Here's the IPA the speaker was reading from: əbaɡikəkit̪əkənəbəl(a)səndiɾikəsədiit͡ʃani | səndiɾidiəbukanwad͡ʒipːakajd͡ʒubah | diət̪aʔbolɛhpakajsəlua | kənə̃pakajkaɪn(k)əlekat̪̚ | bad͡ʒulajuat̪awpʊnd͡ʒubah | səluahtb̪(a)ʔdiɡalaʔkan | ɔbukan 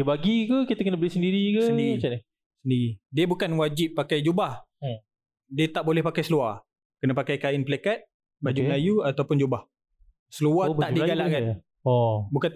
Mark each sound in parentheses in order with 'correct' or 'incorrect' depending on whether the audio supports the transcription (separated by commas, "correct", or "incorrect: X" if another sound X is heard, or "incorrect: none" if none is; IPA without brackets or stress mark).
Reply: incorrect: i, incorrect: p, correct